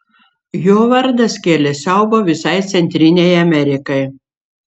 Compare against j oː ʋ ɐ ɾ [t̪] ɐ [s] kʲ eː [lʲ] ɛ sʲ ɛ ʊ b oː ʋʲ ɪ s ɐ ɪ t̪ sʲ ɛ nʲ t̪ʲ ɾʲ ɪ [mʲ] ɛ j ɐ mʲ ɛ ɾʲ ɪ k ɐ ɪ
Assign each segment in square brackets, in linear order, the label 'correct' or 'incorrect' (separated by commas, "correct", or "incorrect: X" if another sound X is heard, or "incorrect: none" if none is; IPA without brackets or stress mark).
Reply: incorrect: d̪, correct, correct, incorrect: nʲ